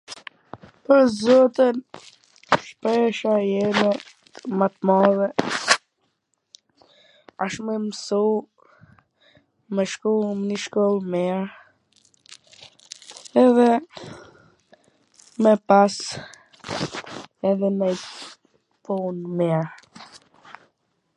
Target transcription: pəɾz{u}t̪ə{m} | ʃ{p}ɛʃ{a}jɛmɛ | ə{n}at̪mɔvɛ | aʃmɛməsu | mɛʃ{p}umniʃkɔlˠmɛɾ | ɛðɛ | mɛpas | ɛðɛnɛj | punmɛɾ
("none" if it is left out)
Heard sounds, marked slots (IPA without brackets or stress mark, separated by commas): ɔ, n, p, a, m, k